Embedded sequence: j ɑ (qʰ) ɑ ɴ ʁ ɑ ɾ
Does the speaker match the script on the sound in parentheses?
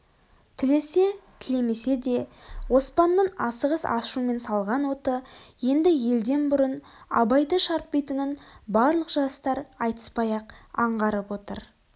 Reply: no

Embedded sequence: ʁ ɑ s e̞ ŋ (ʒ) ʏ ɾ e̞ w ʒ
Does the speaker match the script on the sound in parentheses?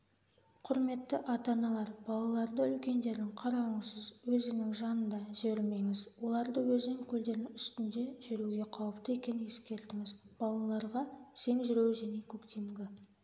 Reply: yes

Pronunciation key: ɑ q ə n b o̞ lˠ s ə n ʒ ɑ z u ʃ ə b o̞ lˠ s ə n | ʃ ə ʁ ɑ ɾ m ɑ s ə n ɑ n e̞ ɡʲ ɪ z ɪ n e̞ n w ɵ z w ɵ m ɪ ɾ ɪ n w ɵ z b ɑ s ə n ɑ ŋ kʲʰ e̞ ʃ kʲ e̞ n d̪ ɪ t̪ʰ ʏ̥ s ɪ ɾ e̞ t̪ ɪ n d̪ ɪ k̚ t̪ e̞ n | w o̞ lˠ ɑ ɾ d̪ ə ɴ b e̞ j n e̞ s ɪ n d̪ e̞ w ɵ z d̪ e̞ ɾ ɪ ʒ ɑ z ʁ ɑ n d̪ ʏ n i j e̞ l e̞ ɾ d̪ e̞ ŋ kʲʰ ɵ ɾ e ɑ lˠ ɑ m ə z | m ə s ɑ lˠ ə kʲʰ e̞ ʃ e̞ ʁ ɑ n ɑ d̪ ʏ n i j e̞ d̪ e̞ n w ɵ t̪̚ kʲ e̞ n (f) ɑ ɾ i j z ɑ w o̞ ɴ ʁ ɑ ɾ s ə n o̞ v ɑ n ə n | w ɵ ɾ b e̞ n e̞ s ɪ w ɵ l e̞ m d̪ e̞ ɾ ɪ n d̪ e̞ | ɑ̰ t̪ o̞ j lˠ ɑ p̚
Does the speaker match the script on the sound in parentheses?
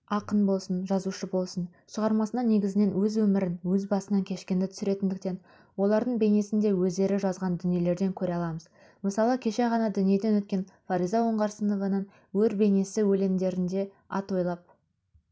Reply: yes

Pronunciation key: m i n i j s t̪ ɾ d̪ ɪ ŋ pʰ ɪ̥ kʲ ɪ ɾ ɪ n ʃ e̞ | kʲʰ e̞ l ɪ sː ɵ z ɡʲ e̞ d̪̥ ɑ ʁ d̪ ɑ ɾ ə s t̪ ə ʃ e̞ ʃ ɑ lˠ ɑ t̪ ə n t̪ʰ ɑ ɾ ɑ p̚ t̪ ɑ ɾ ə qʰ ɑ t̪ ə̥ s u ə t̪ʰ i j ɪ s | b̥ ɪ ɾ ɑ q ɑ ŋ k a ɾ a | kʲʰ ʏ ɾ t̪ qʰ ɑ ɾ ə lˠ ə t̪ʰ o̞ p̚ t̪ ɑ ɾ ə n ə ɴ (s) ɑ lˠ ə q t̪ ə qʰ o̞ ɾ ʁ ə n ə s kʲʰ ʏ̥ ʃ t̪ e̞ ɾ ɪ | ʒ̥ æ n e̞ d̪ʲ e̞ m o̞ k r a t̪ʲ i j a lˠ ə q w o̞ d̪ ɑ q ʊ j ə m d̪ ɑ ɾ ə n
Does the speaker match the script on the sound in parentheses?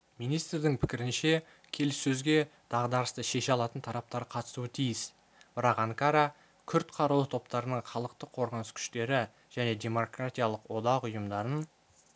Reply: no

